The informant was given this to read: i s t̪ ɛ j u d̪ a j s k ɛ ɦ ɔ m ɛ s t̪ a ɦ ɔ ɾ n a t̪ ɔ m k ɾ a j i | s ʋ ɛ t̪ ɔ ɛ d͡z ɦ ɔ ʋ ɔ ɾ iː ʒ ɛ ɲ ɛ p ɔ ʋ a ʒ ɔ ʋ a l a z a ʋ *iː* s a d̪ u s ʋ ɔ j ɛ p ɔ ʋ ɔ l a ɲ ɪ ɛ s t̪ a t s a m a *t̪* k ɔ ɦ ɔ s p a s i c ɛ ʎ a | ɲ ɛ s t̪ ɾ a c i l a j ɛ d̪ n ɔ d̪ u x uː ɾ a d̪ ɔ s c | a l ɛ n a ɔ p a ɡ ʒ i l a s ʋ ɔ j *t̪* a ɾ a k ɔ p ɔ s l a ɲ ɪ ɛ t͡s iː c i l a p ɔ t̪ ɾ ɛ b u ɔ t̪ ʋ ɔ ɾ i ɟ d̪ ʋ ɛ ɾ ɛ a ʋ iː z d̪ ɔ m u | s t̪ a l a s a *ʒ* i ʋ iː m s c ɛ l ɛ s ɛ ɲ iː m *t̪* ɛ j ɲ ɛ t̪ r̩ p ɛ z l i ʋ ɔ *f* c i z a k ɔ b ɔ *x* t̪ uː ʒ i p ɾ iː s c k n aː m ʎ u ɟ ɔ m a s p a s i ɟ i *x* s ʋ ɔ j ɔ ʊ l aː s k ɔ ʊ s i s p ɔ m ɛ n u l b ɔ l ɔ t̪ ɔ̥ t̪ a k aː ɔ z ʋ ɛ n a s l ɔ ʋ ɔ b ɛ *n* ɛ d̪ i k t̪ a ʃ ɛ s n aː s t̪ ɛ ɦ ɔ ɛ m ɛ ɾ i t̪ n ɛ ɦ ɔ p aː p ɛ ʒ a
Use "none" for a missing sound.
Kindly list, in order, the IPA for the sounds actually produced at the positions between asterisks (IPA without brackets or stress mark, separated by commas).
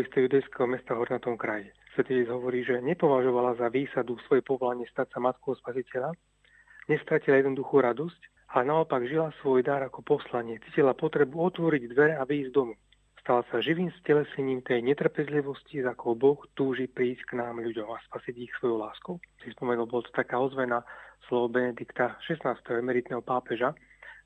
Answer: iː, t̪, d̪, ʒ, t̪, s, x, x, n